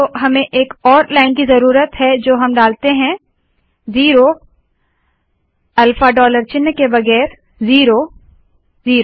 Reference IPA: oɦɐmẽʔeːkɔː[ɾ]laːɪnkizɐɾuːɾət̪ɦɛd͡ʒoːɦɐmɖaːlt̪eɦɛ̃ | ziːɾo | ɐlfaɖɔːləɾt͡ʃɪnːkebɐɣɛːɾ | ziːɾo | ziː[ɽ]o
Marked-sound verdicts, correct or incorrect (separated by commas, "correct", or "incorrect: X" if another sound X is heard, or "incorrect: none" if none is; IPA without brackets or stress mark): correct, incorrect: ɾ